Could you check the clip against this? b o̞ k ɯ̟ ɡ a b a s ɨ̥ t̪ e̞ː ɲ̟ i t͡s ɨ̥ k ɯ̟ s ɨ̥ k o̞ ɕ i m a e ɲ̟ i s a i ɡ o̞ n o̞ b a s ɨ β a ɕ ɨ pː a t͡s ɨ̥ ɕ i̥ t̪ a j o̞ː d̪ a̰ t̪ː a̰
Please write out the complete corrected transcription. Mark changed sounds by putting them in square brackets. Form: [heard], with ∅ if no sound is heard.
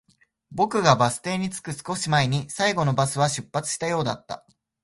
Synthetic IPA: b o̞ k ɯ̟ ɡ a b a s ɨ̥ t̪ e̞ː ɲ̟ i t͡s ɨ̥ k ɯ̟ s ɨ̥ k o̞ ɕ i m a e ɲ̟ i s a i ɡ o̞ n o̞ b a s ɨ β a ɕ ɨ pː a t͡s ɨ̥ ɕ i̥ t̪ a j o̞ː d̪ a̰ t̪ː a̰